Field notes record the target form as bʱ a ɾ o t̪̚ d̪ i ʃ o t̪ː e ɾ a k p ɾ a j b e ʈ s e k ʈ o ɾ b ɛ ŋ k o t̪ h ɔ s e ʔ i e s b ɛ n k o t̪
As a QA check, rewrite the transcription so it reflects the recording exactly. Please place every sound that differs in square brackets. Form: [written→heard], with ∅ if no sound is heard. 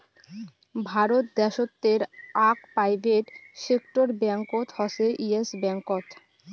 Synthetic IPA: bʱ a ɾ o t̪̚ d̪ [i→ɛ] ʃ o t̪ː e ɾ a k p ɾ a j b e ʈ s e k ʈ o ɾ b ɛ ŋ k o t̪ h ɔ s e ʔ i e s b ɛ [n→ŋ] k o t̪

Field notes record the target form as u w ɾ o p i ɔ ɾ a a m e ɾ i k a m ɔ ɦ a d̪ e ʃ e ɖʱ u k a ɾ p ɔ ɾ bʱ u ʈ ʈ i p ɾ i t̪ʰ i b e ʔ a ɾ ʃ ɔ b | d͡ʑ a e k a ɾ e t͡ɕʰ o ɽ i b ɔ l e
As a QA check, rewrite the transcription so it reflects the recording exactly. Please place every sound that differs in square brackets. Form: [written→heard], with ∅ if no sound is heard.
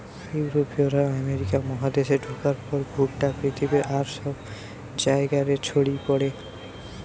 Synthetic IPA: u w ɾ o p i [ɔ→o] ɾ a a m e ɾ i k a m ɔ ɦ a d̪ e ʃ e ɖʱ u k a ɾ p ɔ ɾ bʱ u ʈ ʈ [i→a] p ɾ i t̪ʰ i b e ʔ a ɾ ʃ ɔ b | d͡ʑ a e [k→ɡ] a ɾ e t͡ɕʰ o ɽ i [b→p] ɔ [l→ɽ] e

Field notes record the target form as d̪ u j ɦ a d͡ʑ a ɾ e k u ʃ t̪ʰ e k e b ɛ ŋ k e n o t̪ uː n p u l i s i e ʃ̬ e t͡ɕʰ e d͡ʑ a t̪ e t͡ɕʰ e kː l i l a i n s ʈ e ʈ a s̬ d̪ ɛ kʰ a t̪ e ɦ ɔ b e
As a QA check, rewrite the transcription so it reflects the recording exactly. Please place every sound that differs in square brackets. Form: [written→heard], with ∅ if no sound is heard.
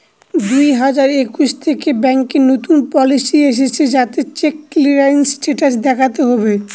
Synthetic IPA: d̪ u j ɦ a d͡ʑ a ɾ e k u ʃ t̪ʰ e k e b ɛ ŋ k e n o t̪ [uː→u] n p [u→ɔ] l i s i e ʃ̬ e t͡ɕʰ e d͡ʑ a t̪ e [t͡ɕʰ→t͡ɕ] e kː l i [l→ɾ] a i n s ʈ e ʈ a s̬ d̪ ɛ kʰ a t̪ e ɦ ɔ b e

